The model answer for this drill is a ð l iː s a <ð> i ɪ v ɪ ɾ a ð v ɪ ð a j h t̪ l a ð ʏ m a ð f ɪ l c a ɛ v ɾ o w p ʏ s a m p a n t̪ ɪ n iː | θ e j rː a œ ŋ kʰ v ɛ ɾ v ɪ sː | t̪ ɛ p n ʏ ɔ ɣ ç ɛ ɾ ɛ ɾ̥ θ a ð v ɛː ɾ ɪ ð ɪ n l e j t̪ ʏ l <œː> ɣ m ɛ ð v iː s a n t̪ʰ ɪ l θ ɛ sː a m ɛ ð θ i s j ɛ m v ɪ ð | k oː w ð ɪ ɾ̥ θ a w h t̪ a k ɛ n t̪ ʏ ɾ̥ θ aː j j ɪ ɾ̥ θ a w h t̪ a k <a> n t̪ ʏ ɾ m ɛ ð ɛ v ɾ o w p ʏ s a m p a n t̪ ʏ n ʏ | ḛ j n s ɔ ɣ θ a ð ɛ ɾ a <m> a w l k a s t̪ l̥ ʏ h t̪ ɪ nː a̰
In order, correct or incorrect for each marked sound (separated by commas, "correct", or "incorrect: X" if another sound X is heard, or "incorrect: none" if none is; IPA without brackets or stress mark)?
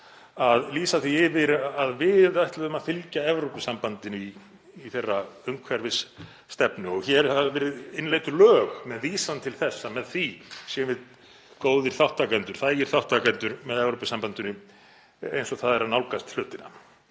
incorrect: θ, correct, incorrect: ɛ, incorrect: n